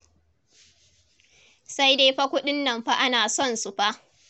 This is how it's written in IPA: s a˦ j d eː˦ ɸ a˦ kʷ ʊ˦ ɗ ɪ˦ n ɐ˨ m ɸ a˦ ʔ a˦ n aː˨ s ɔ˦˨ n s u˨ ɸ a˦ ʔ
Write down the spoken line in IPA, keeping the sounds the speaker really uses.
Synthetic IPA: s a˦ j d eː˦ ɸ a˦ kʷ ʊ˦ ɗ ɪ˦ nː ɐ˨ m ɸ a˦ ʔ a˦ n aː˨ s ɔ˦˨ n s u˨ ɸ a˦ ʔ